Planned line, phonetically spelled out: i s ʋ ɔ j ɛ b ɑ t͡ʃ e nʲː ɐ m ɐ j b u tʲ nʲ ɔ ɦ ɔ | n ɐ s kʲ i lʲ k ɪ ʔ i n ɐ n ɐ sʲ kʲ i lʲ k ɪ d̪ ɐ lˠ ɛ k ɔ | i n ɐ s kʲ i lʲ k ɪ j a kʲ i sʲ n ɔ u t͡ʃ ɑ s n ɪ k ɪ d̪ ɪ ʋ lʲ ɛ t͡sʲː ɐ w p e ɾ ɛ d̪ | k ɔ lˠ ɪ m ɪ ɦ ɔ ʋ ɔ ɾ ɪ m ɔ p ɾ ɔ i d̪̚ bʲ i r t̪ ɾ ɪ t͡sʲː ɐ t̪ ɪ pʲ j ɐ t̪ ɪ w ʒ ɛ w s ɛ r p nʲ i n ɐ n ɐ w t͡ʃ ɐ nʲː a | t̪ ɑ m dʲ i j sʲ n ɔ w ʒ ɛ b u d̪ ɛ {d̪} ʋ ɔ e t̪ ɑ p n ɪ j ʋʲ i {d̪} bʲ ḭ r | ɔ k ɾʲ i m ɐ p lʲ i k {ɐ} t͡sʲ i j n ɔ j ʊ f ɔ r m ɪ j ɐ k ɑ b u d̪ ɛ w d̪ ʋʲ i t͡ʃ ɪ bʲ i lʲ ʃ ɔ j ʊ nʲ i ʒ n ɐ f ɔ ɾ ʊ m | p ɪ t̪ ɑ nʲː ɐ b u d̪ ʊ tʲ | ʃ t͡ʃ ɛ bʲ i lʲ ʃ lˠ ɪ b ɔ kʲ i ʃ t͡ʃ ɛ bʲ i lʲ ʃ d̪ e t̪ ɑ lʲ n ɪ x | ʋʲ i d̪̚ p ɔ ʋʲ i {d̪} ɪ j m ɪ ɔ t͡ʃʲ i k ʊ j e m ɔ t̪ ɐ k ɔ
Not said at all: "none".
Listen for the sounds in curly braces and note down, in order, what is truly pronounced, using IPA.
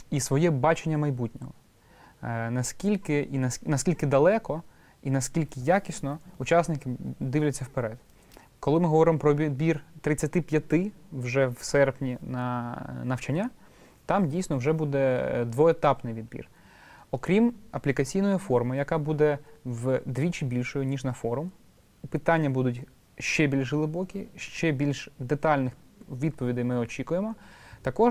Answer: d̪, d̪, ɐ, d̪

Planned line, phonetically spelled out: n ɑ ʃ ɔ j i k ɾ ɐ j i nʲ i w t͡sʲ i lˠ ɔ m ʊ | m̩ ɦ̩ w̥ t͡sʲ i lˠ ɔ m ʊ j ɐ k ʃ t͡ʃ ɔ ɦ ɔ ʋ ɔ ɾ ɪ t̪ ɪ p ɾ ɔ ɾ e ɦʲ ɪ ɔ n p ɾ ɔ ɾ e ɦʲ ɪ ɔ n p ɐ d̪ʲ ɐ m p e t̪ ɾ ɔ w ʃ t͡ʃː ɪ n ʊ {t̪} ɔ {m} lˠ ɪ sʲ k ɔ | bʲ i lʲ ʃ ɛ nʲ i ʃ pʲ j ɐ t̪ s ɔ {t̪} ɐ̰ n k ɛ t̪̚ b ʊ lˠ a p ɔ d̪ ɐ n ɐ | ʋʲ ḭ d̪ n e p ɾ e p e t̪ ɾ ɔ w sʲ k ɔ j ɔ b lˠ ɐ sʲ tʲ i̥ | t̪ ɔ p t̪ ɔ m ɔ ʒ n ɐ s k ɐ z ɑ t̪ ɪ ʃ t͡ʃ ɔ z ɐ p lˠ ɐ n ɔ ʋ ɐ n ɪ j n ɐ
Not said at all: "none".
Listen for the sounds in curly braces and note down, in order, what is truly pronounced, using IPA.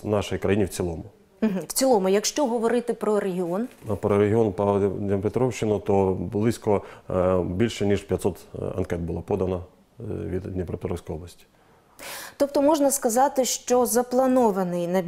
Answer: t̪, b, t̪

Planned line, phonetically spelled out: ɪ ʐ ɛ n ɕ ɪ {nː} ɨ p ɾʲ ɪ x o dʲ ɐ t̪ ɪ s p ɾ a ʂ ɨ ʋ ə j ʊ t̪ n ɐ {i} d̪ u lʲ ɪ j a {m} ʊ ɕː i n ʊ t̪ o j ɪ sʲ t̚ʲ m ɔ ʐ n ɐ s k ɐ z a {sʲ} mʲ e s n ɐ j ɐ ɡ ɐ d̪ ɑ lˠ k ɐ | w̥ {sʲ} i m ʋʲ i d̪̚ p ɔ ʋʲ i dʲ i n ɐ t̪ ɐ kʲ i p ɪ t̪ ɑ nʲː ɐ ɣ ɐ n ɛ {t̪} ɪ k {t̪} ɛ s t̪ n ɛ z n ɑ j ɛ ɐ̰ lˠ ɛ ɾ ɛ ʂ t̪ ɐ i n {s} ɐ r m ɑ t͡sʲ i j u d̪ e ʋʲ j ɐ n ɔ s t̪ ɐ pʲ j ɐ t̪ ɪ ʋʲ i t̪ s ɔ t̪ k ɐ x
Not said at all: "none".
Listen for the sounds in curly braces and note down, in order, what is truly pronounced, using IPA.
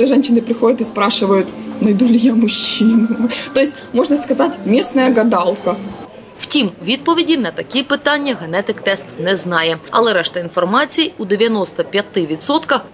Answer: n, j, m, tʲ, tʲ, t̪, t̪, f

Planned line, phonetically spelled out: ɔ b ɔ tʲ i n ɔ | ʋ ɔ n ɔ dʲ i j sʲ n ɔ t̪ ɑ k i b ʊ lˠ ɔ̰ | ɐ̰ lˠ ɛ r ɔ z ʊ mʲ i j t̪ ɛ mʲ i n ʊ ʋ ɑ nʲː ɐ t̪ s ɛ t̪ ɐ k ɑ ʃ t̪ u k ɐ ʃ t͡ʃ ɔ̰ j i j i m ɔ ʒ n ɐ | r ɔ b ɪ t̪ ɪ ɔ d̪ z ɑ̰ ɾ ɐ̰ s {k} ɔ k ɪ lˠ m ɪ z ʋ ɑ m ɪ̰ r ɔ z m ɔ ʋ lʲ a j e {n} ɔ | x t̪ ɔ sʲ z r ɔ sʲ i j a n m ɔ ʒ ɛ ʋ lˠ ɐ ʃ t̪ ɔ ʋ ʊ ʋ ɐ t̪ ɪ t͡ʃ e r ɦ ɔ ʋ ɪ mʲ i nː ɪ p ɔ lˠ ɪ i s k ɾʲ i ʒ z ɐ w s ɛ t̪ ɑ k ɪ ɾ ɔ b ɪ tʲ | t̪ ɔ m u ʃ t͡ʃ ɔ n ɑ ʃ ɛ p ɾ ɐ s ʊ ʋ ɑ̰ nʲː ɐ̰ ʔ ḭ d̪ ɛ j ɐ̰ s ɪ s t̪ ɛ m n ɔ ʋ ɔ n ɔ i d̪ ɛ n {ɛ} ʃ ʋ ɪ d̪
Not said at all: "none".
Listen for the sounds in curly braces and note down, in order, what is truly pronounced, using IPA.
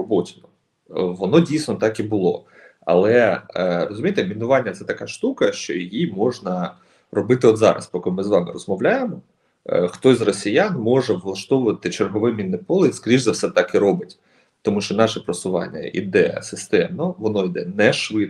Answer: p, m, ɛ

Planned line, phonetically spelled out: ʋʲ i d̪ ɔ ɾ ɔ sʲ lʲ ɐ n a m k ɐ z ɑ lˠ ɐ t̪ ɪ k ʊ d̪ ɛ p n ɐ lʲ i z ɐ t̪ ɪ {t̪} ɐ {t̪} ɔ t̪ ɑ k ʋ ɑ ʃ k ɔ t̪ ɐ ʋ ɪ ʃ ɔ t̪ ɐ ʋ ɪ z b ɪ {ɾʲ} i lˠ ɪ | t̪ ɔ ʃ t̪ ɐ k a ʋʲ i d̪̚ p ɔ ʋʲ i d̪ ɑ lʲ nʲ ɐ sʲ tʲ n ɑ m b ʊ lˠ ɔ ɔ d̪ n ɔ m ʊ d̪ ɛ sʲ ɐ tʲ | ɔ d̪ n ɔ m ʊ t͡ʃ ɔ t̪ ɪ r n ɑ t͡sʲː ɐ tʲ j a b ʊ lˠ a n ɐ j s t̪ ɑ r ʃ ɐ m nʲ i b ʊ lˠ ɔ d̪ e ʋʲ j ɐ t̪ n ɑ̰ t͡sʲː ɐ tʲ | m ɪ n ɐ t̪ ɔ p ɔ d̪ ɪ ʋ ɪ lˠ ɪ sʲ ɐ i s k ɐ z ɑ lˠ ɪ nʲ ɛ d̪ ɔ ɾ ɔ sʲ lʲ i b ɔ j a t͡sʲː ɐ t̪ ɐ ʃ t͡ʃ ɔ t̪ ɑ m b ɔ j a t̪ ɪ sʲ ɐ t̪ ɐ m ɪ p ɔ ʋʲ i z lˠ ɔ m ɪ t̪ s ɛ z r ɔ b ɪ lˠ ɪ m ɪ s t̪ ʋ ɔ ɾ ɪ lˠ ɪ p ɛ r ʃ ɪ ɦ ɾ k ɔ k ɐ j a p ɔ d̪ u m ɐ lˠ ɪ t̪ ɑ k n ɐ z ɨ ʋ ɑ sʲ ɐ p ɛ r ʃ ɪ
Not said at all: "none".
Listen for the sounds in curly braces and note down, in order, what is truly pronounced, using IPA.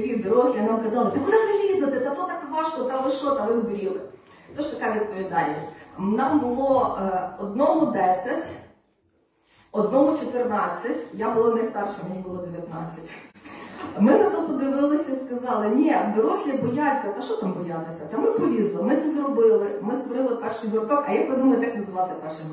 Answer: t̪, t̪, ɾʲ

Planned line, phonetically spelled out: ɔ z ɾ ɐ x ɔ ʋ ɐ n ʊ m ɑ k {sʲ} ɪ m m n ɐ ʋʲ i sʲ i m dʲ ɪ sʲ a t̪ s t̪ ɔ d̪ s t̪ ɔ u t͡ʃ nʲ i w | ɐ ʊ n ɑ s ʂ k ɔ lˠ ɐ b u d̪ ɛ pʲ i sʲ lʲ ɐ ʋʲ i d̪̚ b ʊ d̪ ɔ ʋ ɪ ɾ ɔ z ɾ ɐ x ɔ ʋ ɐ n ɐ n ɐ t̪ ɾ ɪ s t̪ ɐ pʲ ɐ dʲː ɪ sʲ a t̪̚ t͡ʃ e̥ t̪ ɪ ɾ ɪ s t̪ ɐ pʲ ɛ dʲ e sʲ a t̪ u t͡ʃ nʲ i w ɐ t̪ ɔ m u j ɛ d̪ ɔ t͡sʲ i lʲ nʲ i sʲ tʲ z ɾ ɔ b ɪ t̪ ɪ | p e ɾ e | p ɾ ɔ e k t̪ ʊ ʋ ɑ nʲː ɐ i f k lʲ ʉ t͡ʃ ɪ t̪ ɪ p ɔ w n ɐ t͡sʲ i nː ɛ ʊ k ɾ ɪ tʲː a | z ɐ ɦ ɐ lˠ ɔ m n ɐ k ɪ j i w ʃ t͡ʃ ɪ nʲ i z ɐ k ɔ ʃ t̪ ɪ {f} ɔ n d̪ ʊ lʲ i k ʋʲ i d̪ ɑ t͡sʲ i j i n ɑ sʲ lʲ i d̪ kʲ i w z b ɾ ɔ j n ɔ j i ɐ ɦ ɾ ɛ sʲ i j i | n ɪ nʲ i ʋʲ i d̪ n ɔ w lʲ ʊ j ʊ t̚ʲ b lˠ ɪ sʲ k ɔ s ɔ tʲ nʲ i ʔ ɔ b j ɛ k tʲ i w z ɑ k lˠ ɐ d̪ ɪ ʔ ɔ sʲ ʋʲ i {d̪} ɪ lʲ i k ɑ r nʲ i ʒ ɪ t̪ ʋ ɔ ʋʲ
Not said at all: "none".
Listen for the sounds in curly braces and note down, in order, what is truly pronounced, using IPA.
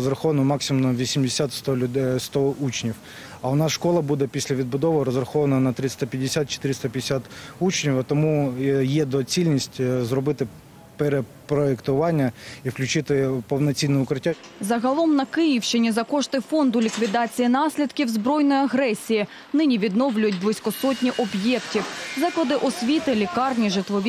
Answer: sʲ, f, t̪

